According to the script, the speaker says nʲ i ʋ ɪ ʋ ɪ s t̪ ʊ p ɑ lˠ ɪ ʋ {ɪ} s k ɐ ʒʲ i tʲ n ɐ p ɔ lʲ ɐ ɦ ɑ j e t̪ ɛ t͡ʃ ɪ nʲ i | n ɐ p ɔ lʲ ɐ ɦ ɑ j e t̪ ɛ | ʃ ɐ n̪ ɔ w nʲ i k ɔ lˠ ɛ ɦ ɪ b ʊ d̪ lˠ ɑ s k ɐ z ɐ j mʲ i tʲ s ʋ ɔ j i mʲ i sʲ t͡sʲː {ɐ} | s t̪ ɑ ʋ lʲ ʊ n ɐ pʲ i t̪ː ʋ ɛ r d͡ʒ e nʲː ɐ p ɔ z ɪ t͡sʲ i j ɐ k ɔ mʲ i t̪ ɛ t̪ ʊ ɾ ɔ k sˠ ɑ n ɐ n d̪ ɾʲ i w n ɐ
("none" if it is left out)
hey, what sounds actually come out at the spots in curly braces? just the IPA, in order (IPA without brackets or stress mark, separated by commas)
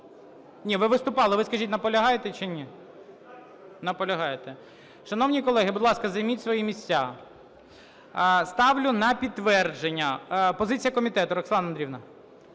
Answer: ɪ, a